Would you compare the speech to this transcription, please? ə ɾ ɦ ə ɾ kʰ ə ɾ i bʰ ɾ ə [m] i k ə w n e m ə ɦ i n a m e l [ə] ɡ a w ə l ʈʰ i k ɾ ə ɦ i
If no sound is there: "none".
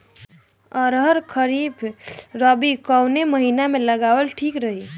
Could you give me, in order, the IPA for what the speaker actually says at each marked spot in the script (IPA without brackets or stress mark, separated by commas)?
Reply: b, ə